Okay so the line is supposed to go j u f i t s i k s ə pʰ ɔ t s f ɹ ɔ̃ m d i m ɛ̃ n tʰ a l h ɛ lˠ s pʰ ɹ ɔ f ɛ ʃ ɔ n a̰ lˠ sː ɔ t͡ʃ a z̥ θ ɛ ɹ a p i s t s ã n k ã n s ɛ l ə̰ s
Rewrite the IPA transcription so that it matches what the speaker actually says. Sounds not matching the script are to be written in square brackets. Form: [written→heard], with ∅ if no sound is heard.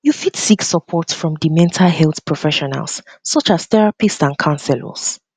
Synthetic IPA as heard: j u f i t s i k s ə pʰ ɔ t s f ɹ ɔ̃ m d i m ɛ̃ n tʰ a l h ɛ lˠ [s→θ] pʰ ɹ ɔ f ɛ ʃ ɔ n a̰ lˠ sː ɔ t͡ʃ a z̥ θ ɛ ɹ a p i s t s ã n [k→kʰ] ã n s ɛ l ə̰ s